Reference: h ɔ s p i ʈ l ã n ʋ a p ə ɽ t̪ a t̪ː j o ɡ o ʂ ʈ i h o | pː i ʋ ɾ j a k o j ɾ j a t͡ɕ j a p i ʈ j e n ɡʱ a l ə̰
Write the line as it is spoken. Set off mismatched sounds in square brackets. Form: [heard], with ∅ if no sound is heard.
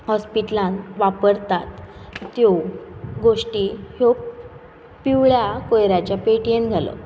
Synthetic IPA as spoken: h ɔ s p i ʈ l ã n ʋ a p ə [ɾ] t̪ a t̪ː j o ɡ o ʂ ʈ i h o | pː i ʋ [ɭ] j a k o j ɾ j a t͡ɕ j a p [e] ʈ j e n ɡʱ a l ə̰